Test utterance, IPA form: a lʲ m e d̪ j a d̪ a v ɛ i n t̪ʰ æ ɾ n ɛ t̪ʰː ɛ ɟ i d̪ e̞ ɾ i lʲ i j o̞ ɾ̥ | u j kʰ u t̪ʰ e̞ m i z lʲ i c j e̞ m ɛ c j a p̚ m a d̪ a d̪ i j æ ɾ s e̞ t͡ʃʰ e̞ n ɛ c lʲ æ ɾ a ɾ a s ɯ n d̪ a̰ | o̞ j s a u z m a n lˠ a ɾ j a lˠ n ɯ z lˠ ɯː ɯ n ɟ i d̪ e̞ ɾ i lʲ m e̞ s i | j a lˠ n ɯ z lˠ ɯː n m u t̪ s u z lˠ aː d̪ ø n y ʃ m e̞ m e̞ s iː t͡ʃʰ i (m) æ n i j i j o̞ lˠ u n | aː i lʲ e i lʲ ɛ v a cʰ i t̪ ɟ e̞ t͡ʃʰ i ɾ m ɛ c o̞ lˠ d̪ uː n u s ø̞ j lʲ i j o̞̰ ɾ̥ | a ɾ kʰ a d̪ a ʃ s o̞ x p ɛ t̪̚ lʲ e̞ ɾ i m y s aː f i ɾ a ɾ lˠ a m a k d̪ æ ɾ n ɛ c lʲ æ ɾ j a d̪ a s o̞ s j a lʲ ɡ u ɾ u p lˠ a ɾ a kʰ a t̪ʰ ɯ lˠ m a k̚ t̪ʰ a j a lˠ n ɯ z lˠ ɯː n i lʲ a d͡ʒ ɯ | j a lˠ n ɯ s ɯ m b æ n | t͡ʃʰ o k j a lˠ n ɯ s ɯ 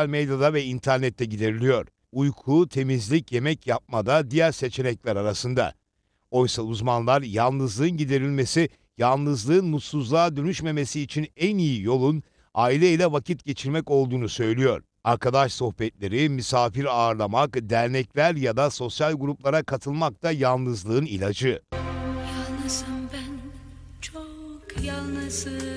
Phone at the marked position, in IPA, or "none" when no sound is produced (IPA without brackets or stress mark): n